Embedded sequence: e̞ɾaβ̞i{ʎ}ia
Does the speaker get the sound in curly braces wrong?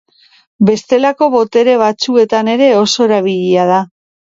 no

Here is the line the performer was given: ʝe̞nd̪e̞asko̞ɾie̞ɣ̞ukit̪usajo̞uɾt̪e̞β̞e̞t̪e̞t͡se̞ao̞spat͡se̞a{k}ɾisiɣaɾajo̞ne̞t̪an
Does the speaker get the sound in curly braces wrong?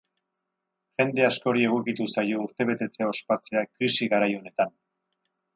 no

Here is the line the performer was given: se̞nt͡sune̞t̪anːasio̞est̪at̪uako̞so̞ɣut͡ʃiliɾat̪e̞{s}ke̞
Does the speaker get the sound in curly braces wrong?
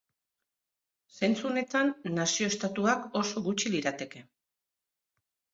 yes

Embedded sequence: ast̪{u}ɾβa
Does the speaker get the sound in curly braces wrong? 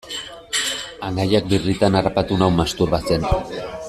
no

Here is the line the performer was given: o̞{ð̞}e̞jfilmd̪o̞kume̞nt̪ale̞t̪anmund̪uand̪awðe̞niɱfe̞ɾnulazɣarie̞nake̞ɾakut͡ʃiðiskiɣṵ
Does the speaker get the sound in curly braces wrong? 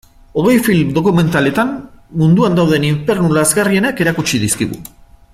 yes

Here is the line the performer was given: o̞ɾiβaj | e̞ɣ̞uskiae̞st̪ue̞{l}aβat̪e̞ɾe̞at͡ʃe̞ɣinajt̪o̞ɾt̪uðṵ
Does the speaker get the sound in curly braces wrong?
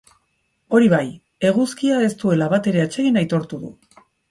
no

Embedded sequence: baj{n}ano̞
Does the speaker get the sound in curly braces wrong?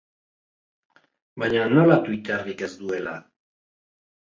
yes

